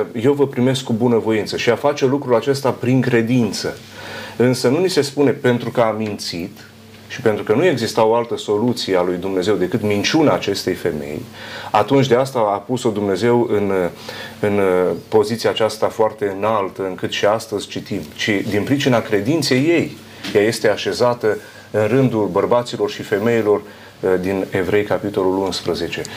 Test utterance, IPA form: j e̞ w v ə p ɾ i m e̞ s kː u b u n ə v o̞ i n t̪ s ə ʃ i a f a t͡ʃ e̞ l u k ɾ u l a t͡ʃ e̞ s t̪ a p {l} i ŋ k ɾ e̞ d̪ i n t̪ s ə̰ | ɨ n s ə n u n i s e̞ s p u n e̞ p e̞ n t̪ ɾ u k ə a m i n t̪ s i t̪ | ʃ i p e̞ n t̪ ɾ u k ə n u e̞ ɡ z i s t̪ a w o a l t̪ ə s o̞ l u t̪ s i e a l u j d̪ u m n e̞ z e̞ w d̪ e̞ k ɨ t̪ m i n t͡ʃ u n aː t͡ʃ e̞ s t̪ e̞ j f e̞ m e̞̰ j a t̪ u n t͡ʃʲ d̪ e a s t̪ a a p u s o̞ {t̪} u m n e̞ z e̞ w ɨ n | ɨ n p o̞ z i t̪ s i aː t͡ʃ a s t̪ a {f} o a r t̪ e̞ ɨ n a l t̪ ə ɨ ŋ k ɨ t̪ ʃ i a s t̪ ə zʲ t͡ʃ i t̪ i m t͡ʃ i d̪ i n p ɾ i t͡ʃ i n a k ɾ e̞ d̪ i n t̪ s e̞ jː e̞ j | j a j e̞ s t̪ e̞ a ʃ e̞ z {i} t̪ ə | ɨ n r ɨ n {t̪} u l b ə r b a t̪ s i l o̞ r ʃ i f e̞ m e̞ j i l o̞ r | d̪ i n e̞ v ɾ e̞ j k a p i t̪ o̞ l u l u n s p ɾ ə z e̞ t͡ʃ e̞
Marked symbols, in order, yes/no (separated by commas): no, no, yes, no, no